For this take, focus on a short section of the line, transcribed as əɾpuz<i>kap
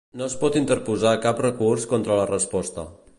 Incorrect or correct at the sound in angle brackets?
incorrect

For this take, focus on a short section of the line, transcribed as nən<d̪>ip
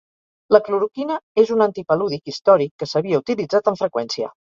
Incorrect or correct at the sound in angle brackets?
incorrect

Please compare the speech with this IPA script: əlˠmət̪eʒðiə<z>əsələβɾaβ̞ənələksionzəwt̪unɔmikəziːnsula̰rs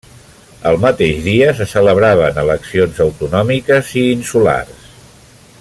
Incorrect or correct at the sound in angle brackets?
incorrect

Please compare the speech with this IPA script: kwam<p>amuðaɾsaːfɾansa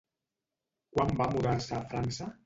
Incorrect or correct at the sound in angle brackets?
incorrect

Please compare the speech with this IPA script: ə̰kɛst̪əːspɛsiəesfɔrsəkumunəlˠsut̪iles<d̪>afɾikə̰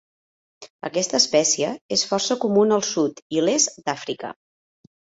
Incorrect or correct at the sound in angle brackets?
correct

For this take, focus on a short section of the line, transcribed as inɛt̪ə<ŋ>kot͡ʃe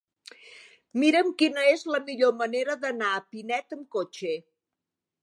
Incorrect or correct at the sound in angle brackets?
incorrect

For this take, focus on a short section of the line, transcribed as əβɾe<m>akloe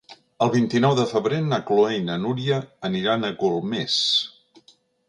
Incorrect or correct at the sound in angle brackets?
incorrect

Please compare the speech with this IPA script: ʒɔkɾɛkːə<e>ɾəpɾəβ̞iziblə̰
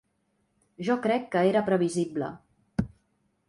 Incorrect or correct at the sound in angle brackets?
correct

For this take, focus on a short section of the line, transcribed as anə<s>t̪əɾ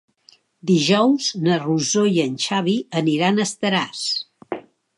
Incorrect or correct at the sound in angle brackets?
correct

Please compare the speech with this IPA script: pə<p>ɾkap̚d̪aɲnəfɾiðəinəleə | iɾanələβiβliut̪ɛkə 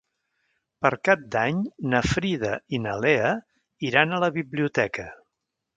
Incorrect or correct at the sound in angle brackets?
incorrect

